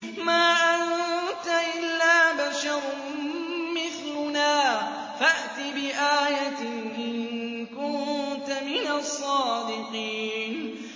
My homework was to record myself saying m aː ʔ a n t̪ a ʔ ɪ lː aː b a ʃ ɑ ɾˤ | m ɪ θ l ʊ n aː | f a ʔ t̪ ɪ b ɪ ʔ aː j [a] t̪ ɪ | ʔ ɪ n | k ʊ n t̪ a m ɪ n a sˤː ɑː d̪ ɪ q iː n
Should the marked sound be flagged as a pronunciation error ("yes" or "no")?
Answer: no